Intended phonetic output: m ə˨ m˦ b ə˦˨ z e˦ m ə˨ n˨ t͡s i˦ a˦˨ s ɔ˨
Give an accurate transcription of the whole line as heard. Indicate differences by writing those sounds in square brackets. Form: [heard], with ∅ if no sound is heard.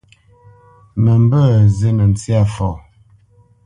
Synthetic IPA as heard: m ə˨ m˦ b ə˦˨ z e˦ [n] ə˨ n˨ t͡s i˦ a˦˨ [f] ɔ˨